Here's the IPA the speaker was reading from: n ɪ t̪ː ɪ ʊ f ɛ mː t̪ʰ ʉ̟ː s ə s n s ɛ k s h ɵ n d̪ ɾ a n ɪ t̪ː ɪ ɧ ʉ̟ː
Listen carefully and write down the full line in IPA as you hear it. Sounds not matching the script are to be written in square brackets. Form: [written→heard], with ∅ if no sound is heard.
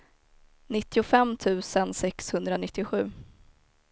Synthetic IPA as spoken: n ɪ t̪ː ɪ ʊ f ɛ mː t̪ʰ ʉ̟ː s ə [s→∅] n s ɛ k s h ɵ n d̪ ɾ a n ɪ t̪ː ɪ ɧ ʉ̟ː